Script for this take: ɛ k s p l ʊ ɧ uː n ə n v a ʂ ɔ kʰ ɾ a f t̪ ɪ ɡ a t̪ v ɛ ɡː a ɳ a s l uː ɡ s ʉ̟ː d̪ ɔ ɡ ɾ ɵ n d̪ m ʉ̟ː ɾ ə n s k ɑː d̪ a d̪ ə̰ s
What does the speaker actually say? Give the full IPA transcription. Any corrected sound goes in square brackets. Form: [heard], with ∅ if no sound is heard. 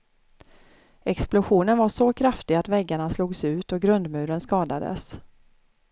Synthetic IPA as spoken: ɛ k s p l ʊ ɧ uː n ə n v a ʂ ɔ kʰ ɾ a f t̪ ɪ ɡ a t̪ v ɛ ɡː a ɳ a s l uː ɡ s ʉ̟ː [t̪] ɔ ɡ ɾ ɵ n d̪ m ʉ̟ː ɾ ə n s k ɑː d̪ a d̪ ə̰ s